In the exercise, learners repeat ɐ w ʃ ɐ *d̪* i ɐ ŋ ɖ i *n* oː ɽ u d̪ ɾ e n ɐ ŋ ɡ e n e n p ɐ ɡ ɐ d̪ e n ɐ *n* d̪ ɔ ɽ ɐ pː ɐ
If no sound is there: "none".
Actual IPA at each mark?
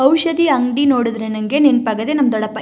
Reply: d̪, n, m

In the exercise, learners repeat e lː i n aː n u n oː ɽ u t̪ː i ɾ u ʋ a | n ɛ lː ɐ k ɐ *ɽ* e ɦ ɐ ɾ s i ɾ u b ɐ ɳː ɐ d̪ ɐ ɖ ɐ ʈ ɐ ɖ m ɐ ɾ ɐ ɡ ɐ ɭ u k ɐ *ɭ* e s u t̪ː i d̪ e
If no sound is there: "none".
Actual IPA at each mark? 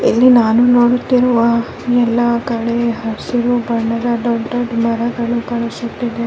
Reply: ɭ, ɭ

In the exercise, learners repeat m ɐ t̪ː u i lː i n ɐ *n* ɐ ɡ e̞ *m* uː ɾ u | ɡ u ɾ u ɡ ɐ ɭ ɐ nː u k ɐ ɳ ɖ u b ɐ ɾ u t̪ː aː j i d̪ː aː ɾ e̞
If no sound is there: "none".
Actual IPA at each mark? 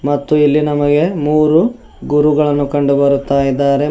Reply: m, m

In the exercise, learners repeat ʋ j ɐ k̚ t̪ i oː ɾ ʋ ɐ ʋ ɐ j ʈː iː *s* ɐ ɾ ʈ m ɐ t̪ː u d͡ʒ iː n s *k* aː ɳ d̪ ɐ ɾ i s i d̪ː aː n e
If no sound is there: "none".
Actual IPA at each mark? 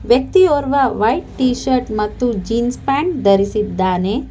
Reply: ʃ, p

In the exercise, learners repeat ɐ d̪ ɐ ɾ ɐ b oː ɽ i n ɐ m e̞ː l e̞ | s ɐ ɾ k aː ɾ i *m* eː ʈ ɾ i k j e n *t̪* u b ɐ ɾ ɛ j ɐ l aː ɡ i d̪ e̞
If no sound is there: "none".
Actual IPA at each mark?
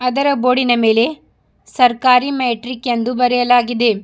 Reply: m, d̪

